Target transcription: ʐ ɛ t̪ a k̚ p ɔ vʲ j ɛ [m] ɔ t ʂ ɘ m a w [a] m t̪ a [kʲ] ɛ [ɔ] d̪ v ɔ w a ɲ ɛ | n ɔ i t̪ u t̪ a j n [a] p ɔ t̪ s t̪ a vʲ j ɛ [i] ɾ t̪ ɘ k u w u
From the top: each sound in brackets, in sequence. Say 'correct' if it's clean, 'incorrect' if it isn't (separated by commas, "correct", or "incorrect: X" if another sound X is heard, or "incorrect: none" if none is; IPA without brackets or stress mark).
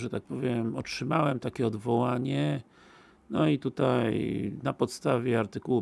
correct, incorrect: ɛ, correct, correct, correct, incorrect: a